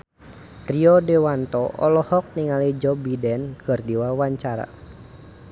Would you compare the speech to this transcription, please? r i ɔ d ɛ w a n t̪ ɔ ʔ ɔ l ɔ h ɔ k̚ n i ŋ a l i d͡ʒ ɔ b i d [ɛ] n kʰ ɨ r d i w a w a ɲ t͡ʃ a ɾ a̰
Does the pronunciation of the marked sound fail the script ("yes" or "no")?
no